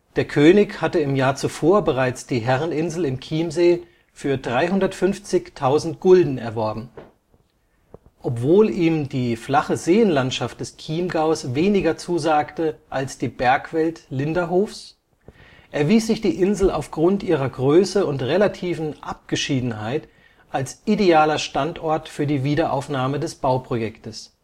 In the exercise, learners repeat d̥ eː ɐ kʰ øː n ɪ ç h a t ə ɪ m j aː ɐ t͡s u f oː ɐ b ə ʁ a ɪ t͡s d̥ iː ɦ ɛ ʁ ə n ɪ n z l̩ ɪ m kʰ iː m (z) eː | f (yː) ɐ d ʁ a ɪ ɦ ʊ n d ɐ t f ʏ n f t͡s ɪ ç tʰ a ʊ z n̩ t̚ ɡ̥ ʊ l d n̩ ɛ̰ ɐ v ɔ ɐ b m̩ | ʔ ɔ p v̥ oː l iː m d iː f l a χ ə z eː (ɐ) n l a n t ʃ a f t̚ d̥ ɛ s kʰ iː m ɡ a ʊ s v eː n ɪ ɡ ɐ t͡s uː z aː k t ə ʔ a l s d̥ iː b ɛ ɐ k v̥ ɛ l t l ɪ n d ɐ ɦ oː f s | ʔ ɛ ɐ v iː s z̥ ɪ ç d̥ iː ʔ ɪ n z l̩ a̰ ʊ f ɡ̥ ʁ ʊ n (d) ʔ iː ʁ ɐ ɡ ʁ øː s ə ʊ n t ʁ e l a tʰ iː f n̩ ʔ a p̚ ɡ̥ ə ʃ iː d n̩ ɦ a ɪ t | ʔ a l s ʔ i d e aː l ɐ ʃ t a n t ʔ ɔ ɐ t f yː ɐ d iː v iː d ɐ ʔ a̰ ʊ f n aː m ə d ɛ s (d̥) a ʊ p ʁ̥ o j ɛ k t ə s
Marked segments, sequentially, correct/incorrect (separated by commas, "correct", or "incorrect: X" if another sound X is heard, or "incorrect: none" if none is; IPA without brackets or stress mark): correct, correct, incorrect: ə, incorrect: t, incorrect: b̥